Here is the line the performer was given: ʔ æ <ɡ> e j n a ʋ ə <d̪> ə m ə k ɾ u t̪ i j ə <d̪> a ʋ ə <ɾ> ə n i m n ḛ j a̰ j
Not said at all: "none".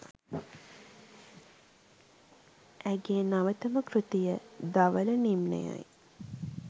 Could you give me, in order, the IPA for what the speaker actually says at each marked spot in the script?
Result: ɡ, t̪, d̪, l

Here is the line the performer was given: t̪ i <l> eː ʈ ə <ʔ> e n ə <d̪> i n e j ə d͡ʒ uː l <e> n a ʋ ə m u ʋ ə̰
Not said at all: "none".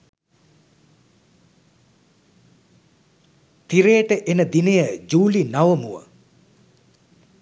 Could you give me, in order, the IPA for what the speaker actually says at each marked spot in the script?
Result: ɾ, ʔ, d̪, i

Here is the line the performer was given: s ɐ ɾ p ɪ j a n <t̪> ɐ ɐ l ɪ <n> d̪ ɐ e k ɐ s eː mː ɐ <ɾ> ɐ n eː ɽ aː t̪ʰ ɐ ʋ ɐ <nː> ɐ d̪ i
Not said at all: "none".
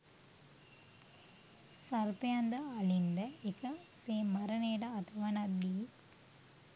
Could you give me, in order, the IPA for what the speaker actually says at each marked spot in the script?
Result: d̪, n, ɾ, n

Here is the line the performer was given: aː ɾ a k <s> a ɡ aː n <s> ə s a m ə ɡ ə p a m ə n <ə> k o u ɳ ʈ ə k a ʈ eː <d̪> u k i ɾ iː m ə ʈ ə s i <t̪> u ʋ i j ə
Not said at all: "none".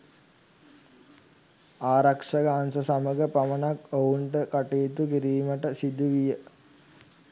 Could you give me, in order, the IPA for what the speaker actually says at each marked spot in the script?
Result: ʂ, s, a, t̪, d̪

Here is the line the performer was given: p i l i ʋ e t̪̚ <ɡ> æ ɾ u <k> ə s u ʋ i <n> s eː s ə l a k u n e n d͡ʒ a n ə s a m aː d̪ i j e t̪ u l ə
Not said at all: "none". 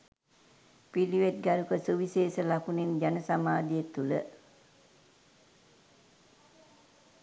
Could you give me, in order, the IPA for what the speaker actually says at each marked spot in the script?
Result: ɡ, k, none

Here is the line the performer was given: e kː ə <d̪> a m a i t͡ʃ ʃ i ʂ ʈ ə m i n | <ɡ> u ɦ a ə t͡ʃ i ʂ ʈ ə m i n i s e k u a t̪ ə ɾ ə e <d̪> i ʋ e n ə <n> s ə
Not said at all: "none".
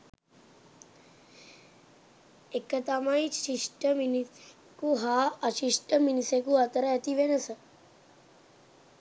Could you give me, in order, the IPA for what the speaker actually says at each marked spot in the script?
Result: t̪, k, t̪, none

